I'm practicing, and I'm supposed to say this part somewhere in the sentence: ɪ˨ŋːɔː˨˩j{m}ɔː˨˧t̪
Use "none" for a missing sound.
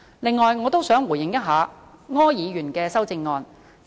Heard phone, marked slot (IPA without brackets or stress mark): ŋ